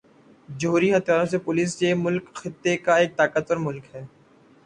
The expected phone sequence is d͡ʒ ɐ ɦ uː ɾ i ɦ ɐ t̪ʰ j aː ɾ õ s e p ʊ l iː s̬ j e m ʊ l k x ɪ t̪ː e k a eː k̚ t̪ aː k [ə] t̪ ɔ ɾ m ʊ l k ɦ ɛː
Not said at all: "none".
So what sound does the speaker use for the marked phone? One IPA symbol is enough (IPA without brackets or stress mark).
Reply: ə